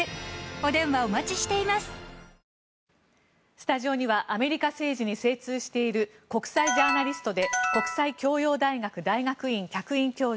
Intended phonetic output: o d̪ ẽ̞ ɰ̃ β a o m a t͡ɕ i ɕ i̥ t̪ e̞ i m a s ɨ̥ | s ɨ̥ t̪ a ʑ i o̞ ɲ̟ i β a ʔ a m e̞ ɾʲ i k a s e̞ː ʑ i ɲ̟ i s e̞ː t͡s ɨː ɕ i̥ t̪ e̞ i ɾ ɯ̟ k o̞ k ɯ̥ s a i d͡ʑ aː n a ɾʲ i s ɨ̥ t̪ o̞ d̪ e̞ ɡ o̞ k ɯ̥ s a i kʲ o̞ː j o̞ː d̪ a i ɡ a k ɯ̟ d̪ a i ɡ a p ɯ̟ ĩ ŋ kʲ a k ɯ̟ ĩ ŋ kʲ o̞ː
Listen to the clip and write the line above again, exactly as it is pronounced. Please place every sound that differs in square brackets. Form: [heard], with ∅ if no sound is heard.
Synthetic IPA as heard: o d̪ ẽ̞ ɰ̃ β a o m a t͡ɕ i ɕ i̥ t̪ e̞ i m a s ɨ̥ | s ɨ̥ t̪ a ʑ i o̞ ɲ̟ i β a ʔ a m e̞ ɾʲ i k a s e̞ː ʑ i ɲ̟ i s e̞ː t͡s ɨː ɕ i̥ t̪ e̞ i ɾ ɯ̟ k o̞ k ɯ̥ s a i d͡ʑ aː n a ɾʲ i s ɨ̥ t̪ o̞ d̪ e̞ [k] o̞ k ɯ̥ s a i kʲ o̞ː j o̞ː d̪ a i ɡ a k ɯ̟ d̪ a i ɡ a [k] ɯ̟ ĩ ŋ kʲ a k ɯ̟ ĩ ŋ kʲ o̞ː

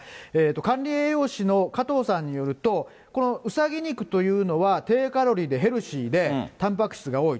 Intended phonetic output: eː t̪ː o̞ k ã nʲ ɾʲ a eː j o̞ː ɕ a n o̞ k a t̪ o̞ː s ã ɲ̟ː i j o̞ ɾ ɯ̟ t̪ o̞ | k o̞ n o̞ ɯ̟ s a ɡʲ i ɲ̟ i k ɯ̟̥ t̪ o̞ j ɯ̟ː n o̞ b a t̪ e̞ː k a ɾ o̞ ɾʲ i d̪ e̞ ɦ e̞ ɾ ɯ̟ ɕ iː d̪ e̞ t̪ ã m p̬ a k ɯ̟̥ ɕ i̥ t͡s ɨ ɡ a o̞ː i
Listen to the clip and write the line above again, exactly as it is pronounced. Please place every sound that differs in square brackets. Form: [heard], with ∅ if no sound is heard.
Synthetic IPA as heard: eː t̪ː o̞ k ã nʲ ɾʲ [i] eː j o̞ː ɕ [i] n o̞ k a t̪ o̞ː s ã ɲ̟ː i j o̞ ɾ ɯ̟ t̪ o̞ | k o̞ n o̞ ɯ̟ s a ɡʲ i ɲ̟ i k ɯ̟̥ t̪ o̞ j ɯ̟ː n o̞ [β] a t̪ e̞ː k a ɾ o̞ ɾʲ i d̪ e̞ ɦ e̞ ɾ ɯ̟ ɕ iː d̪ e̞ t̪ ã m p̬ a k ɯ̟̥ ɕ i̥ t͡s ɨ ɡ a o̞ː i

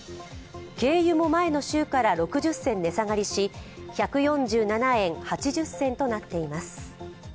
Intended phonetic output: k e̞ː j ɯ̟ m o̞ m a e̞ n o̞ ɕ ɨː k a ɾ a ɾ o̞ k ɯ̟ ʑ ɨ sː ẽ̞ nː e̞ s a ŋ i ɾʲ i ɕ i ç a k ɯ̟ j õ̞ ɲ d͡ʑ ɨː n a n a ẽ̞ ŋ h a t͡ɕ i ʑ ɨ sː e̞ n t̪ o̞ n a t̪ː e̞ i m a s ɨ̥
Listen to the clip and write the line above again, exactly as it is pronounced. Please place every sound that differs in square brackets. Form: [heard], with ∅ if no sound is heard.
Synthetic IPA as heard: k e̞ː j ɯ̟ m o̞ m a e̞ n o̞ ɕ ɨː k a ɾ a ɾ o̞ k ɯ̟ ʑ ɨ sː ẽ̞ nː e̞ s a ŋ [a] ɾʲ i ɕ i ç a k ɯ̟ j õ̞ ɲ d͡ʑ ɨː n a n a ẽ̞ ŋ h a t͡ɕ i ʑ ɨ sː [ẽ̞] n t̪ o̞ n a t̪ː e̞ i m a s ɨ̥

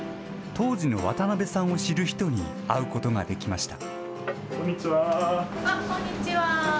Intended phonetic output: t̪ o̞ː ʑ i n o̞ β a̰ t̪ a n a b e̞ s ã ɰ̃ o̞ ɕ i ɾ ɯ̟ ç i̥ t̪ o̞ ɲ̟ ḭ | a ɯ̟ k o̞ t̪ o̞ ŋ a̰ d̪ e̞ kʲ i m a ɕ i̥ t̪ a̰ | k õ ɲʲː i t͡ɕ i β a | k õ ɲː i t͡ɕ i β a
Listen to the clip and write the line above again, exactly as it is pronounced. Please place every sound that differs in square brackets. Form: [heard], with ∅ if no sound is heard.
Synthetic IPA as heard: t̪ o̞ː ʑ i n o̞ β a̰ t̪ a n a b e̞ s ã ɰ̃ o̞ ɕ i ɾ ɯ̟ ç i̥ t̪ o̞ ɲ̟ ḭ | a ɯ̟ k o̞ t̪ o̞ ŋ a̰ d̪ e̞ kʲ i m a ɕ i̥ t̪ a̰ | k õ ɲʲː i t͡ɕ i β a | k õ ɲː i t͡ɕ i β a

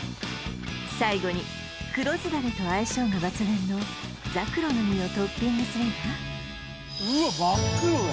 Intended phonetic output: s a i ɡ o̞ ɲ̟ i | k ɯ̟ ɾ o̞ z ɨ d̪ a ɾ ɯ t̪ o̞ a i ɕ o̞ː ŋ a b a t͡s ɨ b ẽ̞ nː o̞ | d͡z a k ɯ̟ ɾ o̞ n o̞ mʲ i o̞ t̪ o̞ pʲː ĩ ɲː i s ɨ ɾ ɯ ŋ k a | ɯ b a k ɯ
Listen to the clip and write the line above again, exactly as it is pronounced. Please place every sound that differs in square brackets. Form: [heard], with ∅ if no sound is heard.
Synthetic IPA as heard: s a i ɡ o̞ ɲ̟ i | k ɯ̟ ɾ o̞ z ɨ d̪ a ɾ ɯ t̪ o̞ a i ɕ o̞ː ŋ a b a t͡s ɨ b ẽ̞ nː o̞ | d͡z a k ɯ̟ ɾ o̞ n o̞ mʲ i o̞ t̪ o̞ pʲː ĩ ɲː i s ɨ ɾ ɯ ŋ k a | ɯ b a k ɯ

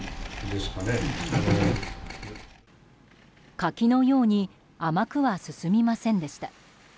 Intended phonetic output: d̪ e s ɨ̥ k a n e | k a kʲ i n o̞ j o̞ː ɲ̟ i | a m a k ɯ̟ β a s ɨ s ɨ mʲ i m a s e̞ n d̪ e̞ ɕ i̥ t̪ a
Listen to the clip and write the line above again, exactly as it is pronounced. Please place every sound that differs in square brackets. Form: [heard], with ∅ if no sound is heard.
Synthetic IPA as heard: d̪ e s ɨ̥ k a n e | k a kʲ i n o̞ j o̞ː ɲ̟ i | a m a k ɯ̟ β a s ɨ s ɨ mʲ i m a s [ẽ̞] n d̪ e̞ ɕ i̥ t̪ a

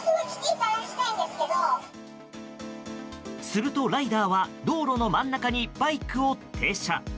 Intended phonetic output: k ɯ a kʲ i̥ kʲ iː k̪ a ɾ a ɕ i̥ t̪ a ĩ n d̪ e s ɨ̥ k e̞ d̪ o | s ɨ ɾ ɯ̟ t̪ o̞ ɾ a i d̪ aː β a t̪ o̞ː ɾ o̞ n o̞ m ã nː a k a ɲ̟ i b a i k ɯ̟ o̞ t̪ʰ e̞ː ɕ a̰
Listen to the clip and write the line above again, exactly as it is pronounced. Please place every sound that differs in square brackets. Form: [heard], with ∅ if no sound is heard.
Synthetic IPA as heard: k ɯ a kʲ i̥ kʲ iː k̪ a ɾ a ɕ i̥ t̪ a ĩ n d̪ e s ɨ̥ k e̞ d̪ o | s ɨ ɾ ɯ̟ t̪ o̞ ɾ a i d̪ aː β a [d̪] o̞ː ɾ o̞ n o̞ m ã nː a k a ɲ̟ i b a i k ɯ̟ o̞ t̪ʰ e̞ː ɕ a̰

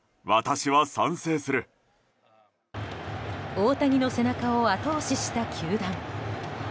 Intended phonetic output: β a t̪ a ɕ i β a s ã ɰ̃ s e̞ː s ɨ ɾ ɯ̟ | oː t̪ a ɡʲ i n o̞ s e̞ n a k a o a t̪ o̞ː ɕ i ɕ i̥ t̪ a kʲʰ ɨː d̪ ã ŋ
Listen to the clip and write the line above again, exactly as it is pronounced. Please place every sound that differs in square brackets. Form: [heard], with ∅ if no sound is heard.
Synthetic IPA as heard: β a t̪ a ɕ i β a s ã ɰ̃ s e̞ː s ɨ ɾ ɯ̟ | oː t̪ a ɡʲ i n o̞ s e̞ n a k a o a t̪ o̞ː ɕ i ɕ i̥ t̪ a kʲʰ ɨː d̪ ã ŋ

